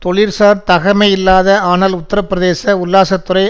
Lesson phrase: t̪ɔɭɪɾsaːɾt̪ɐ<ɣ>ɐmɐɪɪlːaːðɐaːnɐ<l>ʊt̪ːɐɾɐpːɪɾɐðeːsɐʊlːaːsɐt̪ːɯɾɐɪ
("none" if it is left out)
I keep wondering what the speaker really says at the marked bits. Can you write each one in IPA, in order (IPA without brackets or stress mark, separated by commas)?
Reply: ɣ, l